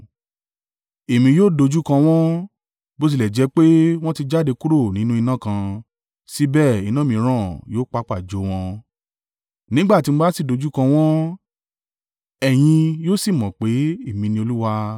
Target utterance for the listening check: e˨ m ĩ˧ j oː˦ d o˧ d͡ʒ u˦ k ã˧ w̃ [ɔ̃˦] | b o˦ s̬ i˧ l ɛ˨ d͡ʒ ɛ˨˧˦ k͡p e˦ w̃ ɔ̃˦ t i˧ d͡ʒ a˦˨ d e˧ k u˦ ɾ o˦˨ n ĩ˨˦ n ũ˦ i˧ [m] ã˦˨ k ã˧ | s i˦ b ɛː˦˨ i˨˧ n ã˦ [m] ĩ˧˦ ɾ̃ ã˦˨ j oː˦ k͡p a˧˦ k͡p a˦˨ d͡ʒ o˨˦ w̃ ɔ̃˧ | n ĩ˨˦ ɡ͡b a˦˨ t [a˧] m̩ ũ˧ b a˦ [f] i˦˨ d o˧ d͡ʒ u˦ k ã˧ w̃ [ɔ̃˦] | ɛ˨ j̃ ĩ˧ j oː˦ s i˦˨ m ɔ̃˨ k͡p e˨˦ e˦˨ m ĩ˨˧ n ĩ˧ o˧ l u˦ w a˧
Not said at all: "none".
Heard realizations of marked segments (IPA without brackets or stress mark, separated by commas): ɔ̃˦, n, m, i˧, s, ɔ̃˦